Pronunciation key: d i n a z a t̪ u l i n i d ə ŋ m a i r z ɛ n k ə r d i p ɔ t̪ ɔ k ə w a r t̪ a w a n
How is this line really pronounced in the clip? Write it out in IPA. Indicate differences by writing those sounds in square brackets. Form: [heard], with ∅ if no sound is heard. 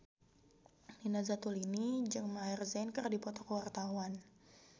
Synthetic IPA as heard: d i n a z a t̪ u l i n i [d͡ʒ] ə ŋ m a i r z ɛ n k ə r d i p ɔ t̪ ɔ k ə w a r t̪ a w a n